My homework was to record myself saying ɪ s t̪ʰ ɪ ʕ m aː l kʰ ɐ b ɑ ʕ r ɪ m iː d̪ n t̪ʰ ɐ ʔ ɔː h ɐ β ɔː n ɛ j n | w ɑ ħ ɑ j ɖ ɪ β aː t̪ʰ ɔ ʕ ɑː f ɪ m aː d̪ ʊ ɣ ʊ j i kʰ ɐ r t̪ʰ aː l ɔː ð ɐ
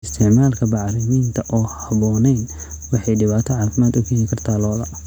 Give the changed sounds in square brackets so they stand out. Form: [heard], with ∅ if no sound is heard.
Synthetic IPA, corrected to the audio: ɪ s t̪ʰ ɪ ʕ m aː l kʰ ɐ b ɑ ʕ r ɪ m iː [∅] n t̪ʰ ɐ ʔ ɔː h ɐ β ɔː n ɛ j n | w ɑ ħ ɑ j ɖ ɪ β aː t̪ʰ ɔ ʕ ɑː f ɪ m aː d̪ ʊ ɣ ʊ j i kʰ ɐ r t̪ʰ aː l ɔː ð ɐ